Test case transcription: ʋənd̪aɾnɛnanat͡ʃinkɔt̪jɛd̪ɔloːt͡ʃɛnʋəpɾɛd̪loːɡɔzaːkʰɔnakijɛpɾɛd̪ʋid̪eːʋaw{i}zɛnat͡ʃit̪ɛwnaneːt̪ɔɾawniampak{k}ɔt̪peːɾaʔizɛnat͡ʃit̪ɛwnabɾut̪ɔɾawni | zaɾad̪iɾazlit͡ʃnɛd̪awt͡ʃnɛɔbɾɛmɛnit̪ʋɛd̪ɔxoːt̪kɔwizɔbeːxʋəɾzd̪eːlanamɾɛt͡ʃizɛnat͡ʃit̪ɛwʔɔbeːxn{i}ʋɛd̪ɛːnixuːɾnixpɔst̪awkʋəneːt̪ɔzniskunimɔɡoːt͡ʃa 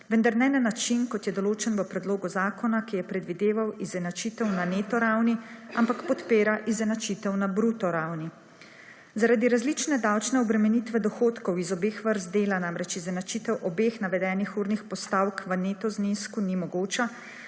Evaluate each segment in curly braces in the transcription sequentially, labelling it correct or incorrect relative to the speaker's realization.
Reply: correct, incorrect: p, incorrect: a

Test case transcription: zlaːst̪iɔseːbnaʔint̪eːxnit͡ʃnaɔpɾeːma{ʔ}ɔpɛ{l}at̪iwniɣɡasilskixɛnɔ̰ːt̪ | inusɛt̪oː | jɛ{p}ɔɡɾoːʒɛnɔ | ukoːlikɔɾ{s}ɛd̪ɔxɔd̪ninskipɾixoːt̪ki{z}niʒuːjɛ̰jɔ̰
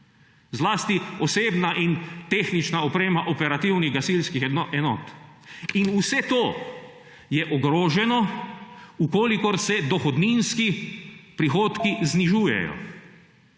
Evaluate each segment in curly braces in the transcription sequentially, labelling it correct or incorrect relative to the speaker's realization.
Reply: correct, incorrect: ɾ, incorrect: ʔ, correct, correct

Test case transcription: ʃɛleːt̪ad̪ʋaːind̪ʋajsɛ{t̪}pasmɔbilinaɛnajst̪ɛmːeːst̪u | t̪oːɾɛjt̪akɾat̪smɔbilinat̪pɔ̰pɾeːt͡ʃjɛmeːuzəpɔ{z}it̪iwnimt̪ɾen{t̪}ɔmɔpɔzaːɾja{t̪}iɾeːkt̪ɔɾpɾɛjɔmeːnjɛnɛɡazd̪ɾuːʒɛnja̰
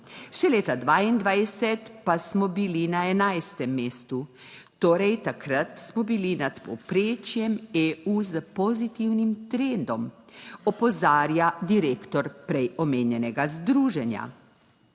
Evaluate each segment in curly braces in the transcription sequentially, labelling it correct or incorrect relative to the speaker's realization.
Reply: correct, correct, incorrect: d̪, incorrect: d̪

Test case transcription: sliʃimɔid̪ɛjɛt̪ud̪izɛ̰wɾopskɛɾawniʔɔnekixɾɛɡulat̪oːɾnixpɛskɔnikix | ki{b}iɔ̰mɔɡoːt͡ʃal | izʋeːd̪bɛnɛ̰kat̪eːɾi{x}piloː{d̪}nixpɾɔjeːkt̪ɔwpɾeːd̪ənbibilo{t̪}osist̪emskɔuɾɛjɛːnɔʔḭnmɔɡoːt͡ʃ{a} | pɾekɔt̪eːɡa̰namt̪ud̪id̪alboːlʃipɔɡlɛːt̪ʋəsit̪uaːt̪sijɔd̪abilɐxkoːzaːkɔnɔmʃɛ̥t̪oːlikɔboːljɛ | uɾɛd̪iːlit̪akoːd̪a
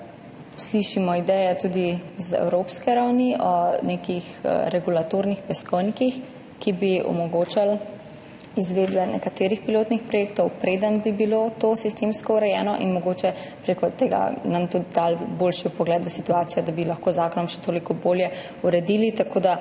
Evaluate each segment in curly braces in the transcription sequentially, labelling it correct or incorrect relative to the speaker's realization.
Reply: correct, correct, incorrect: t̪, correct, incorrect: ɛ

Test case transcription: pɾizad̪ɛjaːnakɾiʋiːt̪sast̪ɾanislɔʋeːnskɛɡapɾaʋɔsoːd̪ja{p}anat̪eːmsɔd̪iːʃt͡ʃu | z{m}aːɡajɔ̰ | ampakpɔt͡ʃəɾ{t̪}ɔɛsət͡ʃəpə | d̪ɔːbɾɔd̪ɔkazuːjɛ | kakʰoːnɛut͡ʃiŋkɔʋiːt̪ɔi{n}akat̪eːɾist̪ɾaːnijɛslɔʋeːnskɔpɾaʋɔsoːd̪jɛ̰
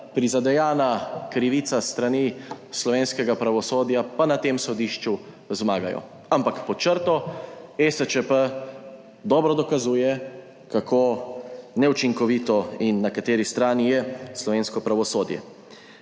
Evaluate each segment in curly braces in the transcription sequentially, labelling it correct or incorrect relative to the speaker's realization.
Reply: correct, correct, correct, incorrect: nː

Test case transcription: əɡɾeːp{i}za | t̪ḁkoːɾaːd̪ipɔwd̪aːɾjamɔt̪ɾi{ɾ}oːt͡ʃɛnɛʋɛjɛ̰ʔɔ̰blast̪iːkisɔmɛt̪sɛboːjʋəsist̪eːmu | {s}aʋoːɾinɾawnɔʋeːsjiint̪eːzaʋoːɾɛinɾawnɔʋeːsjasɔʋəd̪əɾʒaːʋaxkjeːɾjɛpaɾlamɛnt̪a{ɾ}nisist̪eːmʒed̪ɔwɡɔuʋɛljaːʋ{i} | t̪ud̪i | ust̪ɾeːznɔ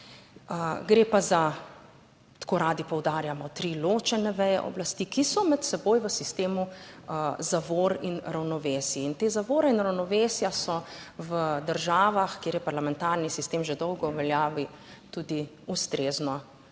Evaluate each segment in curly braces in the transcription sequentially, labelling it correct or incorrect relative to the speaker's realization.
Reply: incorrect: a, incorrect: l, incorrect: z, correct, correct

